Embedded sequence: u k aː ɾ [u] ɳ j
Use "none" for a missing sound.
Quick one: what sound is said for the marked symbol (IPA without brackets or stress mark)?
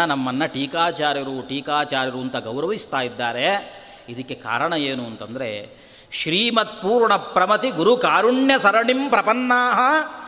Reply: u